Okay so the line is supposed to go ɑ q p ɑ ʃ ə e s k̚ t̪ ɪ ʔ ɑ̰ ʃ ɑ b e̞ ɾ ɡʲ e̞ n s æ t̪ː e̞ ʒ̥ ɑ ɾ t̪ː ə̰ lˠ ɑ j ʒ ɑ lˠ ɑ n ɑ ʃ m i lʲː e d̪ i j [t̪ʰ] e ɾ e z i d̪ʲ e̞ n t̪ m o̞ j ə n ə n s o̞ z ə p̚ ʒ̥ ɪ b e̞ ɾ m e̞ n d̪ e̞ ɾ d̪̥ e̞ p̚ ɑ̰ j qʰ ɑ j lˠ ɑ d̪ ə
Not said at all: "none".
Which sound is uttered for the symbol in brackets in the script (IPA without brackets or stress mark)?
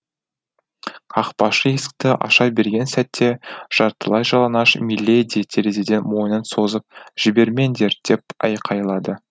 t̪ʰ